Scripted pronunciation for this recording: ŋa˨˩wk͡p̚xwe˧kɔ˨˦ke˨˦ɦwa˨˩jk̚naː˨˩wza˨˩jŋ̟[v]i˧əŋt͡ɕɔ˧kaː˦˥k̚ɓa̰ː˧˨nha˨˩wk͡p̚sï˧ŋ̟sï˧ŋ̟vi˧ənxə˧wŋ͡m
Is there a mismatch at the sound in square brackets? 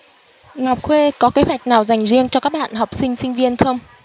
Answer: yes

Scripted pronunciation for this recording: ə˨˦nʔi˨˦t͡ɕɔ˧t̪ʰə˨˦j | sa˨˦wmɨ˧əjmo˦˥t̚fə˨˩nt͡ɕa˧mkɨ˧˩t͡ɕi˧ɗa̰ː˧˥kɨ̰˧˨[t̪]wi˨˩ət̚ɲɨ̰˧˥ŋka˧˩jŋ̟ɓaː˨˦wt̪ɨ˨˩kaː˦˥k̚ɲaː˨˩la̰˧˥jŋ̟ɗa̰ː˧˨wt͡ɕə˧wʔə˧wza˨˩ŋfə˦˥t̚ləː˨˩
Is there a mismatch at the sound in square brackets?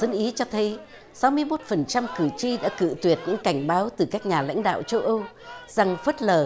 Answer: no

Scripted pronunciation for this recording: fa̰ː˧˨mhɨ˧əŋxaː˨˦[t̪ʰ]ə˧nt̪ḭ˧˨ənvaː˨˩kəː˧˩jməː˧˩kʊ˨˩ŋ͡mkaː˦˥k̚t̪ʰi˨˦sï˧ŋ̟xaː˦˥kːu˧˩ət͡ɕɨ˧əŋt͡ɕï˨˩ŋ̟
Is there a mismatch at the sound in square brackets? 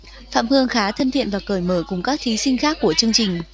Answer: no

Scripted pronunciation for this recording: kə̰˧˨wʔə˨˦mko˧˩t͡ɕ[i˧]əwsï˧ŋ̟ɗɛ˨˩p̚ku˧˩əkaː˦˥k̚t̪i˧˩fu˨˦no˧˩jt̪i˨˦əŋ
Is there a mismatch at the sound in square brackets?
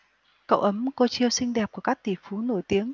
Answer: no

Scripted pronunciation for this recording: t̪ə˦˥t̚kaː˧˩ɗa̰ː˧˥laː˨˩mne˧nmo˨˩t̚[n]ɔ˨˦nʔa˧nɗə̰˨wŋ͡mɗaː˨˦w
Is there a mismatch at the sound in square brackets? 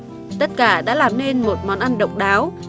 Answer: yes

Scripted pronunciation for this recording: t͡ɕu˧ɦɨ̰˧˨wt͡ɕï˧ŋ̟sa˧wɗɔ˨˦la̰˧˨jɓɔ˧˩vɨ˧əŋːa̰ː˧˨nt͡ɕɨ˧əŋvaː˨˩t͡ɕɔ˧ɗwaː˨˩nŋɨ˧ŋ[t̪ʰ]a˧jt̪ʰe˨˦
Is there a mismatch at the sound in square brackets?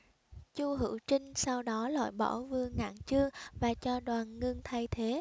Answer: no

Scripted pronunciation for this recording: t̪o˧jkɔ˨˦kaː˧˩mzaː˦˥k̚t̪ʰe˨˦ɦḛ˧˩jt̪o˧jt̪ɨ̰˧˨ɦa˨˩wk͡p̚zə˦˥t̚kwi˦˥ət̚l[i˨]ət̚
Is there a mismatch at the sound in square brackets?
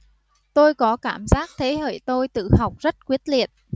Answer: no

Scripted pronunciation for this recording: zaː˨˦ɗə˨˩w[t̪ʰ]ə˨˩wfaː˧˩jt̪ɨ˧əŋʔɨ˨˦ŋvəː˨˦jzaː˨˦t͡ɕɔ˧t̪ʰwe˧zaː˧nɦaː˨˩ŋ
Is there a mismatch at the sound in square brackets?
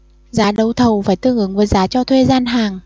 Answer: no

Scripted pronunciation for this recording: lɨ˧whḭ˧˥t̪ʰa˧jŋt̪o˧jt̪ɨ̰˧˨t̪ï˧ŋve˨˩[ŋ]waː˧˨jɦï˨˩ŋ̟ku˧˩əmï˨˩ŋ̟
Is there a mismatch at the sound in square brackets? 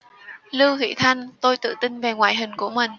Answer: no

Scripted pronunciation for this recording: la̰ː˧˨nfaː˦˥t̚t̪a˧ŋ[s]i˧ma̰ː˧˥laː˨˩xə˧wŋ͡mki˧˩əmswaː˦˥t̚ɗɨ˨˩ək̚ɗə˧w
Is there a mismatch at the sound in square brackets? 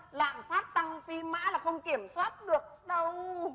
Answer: yes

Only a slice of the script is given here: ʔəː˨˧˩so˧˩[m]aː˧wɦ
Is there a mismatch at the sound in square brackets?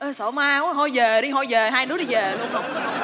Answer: no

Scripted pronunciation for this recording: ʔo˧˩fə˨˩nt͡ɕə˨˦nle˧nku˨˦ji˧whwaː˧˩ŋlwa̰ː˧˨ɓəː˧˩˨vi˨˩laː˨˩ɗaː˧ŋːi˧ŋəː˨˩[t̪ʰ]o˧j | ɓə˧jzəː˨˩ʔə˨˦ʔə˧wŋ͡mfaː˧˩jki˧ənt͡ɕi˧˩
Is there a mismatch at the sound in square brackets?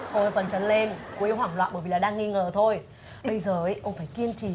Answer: no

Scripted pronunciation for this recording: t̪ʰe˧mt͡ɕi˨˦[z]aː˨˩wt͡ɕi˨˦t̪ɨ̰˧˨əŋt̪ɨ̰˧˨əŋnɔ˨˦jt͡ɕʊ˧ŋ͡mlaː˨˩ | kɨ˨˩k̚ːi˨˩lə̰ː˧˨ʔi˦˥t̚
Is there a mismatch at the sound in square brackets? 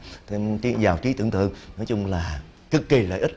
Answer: no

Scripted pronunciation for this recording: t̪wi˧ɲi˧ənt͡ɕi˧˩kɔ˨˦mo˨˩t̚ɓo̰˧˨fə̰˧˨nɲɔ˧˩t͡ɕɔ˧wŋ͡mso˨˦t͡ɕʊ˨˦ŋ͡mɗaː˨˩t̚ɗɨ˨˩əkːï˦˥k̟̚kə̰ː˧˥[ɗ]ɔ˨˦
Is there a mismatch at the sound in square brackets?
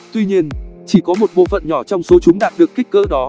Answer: no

